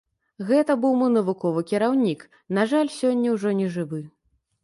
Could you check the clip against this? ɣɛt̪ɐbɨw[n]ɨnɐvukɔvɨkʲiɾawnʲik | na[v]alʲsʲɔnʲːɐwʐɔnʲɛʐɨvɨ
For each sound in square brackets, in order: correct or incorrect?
incorrect: m, incorrect: ʐ

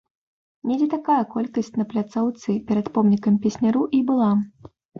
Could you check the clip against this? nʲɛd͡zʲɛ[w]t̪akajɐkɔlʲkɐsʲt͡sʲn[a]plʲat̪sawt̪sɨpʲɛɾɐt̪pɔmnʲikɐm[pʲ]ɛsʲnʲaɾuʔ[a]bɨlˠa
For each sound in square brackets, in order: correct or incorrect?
incorrect: none, incorrect: ɐ, correct, incorrect: i

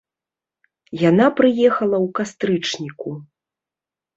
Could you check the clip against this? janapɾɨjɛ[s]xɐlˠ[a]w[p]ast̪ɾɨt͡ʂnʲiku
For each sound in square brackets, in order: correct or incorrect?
incorrect: none, incorrect: ɐ, incorrect: k

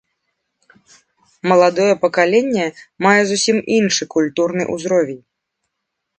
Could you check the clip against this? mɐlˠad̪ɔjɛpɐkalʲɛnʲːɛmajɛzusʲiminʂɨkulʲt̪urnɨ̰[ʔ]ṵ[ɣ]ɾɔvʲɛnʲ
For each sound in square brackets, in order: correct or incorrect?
correct, incorrect: z

